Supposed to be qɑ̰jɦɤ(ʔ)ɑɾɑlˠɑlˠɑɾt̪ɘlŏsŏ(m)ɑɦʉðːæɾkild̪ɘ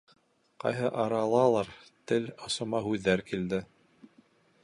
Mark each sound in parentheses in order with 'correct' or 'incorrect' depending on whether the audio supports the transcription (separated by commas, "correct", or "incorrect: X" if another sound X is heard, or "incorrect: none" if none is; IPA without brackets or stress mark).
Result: correct, correct